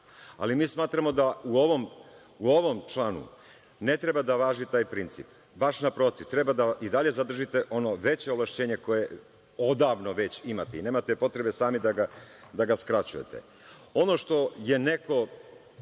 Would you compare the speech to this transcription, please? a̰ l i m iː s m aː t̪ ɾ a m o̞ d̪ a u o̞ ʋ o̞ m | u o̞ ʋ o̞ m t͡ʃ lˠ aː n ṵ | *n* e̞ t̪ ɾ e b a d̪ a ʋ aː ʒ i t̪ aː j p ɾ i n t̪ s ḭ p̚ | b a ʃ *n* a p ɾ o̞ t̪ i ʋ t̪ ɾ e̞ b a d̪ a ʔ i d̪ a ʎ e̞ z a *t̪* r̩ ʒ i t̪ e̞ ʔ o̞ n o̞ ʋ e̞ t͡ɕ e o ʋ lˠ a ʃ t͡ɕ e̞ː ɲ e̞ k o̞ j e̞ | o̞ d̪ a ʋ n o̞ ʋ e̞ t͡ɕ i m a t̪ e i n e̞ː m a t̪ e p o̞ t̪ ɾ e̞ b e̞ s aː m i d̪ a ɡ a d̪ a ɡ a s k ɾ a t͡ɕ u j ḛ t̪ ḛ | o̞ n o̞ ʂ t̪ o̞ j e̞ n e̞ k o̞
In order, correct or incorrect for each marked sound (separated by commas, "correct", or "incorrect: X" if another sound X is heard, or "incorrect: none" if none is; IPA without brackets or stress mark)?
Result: correct, correct, incorrect: d̪